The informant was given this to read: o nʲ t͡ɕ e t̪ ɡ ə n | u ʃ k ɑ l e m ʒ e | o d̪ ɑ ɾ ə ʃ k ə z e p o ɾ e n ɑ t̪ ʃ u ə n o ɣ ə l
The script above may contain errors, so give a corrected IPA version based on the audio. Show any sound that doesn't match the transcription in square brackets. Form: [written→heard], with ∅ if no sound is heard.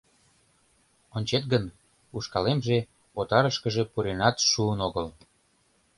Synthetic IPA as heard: o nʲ t͡ɕ e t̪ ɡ ə n | u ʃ k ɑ l e m ʒ e | o [d̪→t̪] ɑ ɾ ə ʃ k ə [z→ʒ] e p [o→u] ɾ e n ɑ t̪ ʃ u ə n o ɣ ə l